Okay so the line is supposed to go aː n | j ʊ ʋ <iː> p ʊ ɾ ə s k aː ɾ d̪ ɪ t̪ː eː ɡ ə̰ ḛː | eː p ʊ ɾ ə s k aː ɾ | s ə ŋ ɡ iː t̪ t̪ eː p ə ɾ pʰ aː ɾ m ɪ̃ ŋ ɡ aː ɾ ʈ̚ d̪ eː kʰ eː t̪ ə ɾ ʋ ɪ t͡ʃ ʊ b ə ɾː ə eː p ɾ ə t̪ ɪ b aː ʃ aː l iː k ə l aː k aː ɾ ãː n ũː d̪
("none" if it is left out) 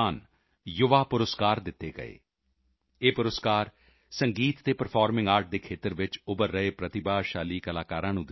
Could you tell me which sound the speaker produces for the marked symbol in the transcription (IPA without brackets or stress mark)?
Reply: aː